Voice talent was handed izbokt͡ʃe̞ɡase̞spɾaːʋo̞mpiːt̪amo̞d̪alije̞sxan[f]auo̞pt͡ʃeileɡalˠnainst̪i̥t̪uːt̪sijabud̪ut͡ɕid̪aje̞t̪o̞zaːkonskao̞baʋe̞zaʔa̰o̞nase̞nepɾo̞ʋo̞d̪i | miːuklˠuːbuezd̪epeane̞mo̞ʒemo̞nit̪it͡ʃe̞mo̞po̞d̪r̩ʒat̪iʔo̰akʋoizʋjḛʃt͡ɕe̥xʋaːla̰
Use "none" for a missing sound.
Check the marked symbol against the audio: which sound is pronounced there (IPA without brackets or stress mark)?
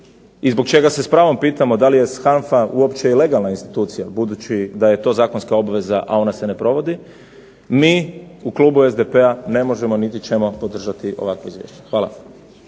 f